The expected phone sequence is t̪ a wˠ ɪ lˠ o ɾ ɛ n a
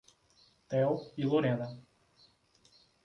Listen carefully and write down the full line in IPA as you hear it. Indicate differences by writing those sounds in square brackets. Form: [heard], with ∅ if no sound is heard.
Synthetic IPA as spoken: t̪ [ɛ] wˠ [i] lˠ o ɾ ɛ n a